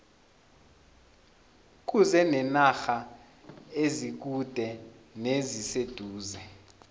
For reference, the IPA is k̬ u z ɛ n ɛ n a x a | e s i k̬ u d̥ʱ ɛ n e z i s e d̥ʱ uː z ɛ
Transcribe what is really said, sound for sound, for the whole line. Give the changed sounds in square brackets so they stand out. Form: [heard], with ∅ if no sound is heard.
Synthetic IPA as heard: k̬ u z ɛ n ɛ n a x a | e [z] i k̬ u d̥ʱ ɛ n e z i s e d̥ʱ uː z ɛ